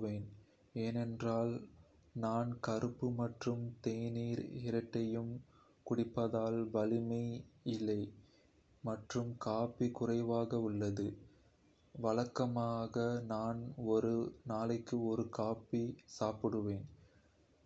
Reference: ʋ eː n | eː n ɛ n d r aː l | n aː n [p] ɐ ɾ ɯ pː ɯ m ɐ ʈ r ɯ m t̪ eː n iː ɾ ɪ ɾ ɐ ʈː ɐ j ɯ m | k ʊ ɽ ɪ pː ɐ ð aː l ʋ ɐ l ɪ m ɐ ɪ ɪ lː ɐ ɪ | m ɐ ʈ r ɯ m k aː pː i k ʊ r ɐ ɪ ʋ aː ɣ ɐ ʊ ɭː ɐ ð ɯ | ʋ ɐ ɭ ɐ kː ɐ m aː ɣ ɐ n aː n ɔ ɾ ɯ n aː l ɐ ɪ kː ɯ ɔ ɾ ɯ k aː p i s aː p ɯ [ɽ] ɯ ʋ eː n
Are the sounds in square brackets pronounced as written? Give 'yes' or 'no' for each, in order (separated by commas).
no, yes